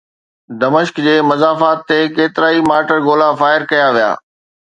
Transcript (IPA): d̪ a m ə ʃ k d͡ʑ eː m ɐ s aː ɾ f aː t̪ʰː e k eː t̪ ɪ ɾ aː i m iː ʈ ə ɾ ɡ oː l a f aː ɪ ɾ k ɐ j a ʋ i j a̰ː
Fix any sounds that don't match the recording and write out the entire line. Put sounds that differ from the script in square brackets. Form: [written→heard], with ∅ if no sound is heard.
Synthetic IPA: d̪ [a→ɐ] m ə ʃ k d͡ʑ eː m ɐ [s→z] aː [ɾ→∅] f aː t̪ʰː e k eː t̪ ɪ ɾ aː i m [iː→aː] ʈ ə ɾ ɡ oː l a f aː ɪ ɾ k ɐ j a ʋ i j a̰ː